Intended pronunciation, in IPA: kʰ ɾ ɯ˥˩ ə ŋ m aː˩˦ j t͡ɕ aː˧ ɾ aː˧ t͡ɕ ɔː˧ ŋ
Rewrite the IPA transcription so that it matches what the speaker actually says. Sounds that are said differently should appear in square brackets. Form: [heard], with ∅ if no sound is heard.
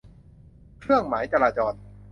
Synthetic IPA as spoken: kʰ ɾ ɯ˥˩ ə ŋ m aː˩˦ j t͡ɕ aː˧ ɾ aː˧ t͡ɕ ɔː˧ [n]